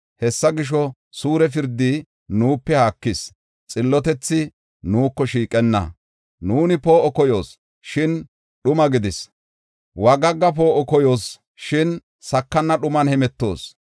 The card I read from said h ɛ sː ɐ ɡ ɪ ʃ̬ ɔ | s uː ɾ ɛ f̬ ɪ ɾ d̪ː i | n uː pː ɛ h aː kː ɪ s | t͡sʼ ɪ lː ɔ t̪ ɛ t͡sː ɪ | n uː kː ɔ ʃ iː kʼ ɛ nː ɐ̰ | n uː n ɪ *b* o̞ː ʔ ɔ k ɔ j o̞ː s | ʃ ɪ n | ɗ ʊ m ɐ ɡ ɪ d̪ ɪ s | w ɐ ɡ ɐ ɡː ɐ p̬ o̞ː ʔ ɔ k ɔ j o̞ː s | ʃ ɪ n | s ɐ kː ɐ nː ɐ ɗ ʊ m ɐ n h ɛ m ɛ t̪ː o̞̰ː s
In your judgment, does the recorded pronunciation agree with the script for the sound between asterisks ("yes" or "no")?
no